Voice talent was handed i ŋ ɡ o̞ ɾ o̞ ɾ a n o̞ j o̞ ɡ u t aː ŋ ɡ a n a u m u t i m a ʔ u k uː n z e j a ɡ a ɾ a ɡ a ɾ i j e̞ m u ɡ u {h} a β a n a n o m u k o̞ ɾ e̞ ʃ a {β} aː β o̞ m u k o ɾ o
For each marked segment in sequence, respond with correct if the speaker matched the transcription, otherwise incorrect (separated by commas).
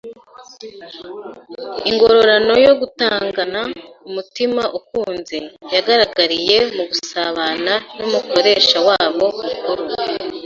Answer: incorrect, incorrect